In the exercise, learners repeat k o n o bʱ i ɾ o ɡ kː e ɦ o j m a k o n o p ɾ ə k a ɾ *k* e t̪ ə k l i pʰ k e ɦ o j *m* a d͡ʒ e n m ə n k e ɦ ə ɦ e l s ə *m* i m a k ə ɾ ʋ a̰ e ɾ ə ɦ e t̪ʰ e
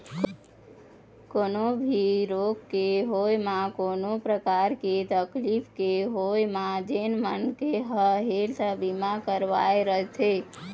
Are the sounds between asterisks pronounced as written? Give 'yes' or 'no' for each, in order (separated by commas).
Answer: yes, yes, no